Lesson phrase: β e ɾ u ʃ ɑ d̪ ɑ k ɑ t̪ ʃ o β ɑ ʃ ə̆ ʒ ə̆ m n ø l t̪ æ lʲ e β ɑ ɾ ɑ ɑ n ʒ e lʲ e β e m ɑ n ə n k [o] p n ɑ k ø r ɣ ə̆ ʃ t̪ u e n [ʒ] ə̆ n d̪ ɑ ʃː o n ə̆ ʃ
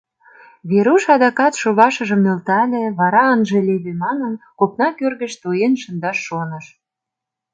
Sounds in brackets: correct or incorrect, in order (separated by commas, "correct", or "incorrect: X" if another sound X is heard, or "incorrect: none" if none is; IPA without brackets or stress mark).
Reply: correct, incorrect: ʃ